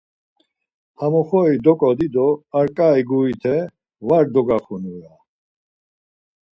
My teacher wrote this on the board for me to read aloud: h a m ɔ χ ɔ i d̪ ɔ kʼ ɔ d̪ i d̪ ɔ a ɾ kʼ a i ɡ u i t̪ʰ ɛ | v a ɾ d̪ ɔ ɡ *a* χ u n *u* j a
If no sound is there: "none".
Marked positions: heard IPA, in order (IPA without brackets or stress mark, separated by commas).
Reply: a, u